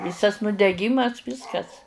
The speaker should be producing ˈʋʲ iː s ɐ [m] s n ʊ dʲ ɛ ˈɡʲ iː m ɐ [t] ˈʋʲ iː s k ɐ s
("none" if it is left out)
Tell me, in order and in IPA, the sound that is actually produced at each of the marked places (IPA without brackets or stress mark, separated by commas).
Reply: none, s